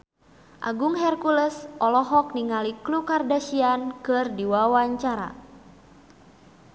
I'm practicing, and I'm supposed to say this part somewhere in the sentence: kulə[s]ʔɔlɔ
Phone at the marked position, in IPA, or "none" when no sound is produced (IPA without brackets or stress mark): s